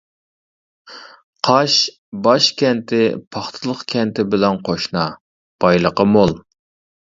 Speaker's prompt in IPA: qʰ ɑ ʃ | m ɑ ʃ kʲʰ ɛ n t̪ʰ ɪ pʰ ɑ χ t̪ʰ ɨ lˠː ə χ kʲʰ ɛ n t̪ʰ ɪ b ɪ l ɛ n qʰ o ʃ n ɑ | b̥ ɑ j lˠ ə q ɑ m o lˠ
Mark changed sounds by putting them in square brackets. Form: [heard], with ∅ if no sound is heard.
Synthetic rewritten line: qʰ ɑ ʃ | [b] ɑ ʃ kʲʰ ɛ n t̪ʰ ɪ pʰ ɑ χ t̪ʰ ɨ [lˠ] ə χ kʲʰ ɛ n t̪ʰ ɪ b ɪ l ɛ n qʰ o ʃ n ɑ | b̥ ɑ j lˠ ə q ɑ m o lˠ